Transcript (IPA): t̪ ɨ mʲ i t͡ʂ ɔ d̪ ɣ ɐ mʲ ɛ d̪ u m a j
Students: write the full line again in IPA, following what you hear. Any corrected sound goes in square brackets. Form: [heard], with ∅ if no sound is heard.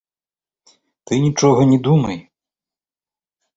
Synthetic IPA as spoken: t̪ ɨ [nʲ] i t͡ʂ ɔ [∅] ɣ ɐ [nʲ] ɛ d̪ u m [ɐ] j

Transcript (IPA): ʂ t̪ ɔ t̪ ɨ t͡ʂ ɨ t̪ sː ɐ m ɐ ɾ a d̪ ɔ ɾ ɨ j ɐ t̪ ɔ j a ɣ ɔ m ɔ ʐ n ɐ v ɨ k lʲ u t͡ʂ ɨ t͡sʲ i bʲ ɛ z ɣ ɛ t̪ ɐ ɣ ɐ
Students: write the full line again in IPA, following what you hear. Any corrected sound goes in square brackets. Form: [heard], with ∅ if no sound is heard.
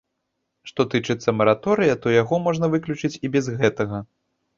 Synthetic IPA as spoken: ʂ t̪ ɔ t̪ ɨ t͡ʂ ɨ t̪ sː ɐ m ɐ ɾ a [t̪] ɔ ɾ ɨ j ɐ t̪ ɔ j a ɣ ɔ m ɔ ʐ n ɐ v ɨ k lʲ u t͡ʂ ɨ t͡sʲ i bʲ ɛ z ɣ ɛ t̪ ɐ ɣ ɐ

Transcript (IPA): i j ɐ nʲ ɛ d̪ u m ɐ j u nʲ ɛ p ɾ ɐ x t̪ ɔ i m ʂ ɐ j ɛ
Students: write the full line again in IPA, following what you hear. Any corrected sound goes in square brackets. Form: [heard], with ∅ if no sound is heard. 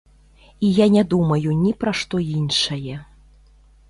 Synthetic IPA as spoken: i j [a] nʲ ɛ d̪ u m ɐ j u nʲ [i] p ɾ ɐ [ʂ] t̪ ɔ i [n] ʂ ɐ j ɛ

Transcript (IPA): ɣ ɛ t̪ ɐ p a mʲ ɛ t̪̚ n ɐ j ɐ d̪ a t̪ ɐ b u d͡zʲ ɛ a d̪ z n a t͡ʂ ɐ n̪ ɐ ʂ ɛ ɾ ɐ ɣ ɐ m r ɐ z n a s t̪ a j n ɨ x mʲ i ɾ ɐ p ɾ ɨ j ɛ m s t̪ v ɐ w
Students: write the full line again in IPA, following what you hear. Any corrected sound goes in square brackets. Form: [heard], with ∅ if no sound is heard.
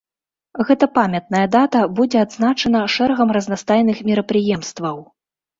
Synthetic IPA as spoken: ɣ ɛ t̪ ɐ p a mʲ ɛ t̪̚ n ɐ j ɐ d̪ a t̪ ɐ b u d͡zʲ ɛ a d̪ z n a t͡ʂ ɐ n̪ ɐ ʂ ɛ ɾ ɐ ɣ ɐ m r ɐ z n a s t̪ a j n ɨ x mʲ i ɾ ɐ p ɾ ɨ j ɛ m s t̪ v ɐ w

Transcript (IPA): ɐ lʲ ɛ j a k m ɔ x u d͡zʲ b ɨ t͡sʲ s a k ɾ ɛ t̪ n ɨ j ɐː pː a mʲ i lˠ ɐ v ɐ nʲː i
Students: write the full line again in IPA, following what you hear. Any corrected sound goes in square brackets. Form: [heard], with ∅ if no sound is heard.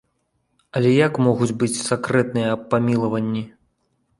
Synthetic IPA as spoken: ɐ lʲ ɛ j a k m ɔ [ɣ] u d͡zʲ b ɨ t͡sʲ s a k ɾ ɛ t̪ n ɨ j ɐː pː a mʲ i lˠ ɐ v ɐ nʲː i

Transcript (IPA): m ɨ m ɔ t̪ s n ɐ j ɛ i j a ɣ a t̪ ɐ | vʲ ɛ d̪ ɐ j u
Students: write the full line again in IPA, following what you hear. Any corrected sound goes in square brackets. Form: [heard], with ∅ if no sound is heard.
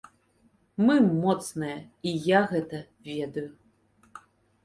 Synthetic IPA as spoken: m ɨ m ɔ t̪ s n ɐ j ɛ i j a ɣ [ɛ] t̪ ɐ | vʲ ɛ d̪ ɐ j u

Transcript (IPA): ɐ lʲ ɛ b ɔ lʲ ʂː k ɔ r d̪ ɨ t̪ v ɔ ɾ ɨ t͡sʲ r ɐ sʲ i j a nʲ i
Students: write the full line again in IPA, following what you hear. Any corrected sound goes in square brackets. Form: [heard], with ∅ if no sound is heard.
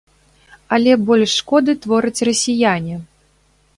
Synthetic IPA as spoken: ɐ lʲ ɛ b ɔ lʲ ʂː k ɔ [∅] d̪ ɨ t̪ v ɔ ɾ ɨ t͡sʲ r ɐ sʲ i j a nʲ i

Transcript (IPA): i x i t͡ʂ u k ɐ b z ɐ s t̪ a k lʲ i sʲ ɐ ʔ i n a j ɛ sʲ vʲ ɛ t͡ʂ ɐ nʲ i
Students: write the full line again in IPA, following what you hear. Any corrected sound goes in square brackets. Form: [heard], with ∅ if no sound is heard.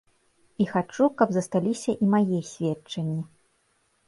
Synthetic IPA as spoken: i x [a] t͡ʂ u k ɐ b z ɐ s t̪ a [∅] lʲ i sʲ ɐ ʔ i [m] a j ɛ sʲ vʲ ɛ t͡ʂ ɐ [nʲː] i

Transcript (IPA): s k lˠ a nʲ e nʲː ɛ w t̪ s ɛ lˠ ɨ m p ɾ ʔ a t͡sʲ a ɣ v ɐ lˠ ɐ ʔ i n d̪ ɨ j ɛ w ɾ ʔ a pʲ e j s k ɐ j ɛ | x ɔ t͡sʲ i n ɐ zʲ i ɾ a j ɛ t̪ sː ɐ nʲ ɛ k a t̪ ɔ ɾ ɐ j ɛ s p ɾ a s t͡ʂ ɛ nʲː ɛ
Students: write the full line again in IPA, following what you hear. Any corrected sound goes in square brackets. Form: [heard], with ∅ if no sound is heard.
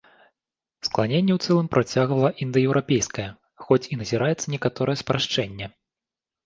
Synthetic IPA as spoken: s k lˠ a nʲ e nʲː ɛ w t̪ s ɛ lˠ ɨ m p ɾ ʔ a t͡sʲ a ɣ v ɐ lˠ ɐ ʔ i n d̪ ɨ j ɛ w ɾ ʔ a pʲ e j s k ɐ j ɛ | x ɔ t͡sʲ i n ɐ zʲ i ɾ a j ɛ t̪ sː ɐ nʲ ɛ k a t̪ ɔ ɾ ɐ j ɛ s p ɾ a [ʂ] t͡ʂ ɛ nʲː ɛ

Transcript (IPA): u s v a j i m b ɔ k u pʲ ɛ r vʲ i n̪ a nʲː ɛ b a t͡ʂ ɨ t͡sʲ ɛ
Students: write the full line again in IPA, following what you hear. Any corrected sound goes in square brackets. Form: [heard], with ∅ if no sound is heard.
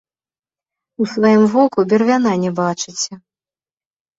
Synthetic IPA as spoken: u s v a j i m [v] ɔ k u [bʲ] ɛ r vʲ [a] n̪ a [nʲ] ɛ b a t͡ʂ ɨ t͡sʲ ɛ

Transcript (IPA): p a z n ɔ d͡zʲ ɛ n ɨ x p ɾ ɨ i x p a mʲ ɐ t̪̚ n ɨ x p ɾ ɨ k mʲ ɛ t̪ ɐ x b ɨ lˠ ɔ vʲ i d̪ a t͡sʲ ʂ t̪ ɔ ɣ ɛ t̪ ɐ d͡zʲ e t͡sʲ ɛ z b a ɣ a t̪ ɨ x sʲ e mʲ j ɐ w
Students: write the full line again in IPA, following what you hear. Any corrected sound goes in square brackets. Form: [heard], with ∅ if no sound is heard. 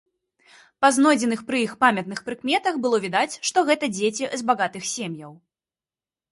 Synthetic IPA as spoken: p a z n ɔ d͡zʲ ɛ n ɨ x p ɾ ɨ i x p a mʲ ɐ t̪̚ n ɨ x p ɾ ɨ k mʲ ɛ t̪ ɐ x b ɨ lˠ ɔ vʲ i d̪ a t͡sʲ ʂ t̪ ɔ ɣ ɛ t̪ ɐ d͡zʲ e t͡sʲ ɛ z b a ɣ a t̪ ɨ x sʲ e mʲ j ɐ w

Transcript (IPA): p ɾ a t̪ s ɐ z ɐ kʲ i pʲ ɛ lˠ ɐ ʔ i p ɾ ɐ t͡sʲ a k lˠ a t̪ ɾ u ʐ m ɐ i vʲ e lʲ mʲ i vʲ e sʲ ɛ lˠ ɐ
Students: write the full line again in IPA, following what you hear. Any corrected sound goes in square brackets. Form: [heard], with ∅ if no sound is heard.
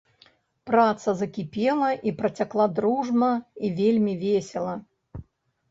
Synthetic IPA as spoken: p ɾ a t̪ s ɐ z ɐ kʲ i pʲ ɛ lˠ ɐ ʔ i p ɾ ɐ t͡sʲ a k lˠ a [d̪] ɾ u ʐ m ɐ i vʲ e lʲ mʲ i vʲ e sʲ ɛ lˠ ɐ

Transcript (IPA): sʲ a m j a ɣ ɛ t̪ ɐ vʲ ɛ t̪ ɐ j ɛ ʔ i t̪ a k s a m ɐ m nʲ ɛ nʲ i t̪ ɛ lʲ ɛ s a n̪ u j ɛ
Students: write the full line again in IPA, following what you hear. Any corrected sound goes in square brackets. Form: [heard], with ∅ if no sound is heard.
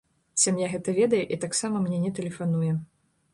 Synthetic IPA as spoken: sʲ a m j a ɣ ɛ t̪ ɐ vʲ ɛ [d̪] ɐ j ɛ ʔ i t̪ a k s a m ɐ m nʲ ɛ nʲ [ɛ] t̪ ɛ lʲ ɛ [f] a n̪ u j ɛ

